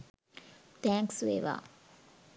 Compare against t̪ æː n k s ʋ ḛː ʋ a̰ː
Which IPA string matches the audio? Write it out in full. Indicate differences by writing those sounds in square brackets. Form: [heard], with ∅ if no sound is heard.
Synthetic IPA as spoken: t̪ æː [ŋ] k s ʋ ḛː ʋ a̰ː